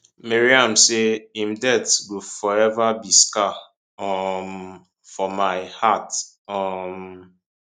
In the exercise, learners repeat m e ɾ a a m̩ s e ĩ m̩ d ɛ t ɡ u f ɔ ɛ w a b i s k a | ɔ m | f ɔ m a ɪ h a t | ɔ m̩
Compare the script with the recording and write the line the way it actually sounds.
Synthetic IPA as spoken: m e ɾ i a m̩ s e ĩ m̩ d ɛ t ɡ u f ɔ ɛ v a b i s k a | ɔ m | f ɔ m a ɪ h a t | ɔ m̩